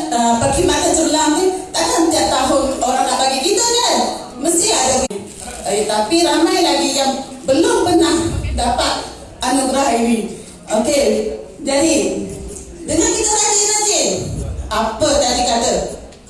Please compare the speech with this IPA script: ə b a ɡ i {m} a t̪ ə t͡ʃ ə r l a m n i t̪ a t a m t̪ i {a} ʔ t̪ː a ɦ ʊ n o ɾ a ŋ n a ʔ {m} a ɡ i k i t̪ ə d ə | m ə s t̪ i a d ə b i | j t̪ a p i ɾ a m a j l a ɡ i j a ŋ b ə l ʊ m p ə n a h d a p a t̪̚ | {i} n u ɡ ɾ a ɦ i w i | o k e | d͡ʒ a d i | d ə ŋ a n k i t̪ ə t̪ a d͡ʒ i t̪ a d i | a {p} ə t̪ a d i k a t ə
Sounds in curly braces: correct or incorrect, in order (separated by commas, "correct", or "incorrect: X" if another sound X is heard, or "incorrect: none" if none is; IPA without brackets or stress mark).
correct, correct, incorrect: b, incorrect: a, correct